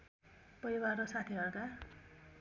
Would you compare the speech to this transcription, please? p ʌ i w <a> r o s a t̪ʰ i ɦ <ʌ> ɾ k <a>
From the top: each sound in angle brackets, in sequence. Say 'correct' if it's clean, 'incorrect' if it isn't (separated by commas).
correct, correct, correct